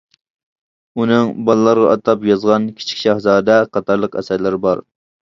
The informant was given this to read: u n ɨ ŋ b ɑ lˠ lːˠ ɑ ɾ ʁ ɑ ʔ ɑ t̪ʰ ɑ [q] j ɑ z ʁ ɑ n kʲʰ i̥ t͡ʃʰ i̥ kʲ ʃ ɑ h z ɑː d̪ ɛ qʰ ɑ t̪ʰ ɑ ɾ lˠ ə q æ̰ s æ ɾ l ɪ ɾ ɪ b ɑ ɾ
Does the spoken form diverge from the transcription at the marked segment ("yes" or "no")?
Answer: yes